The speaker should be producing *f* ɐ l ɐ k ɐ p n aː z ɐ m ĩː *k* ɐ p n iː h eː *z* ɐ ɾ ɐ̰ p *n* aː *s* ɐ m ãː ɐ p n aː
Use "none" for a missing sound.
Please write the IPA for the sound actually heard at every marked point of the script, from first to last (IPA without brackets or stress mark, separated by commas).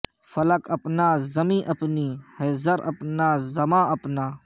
f, ʔ, z, n, z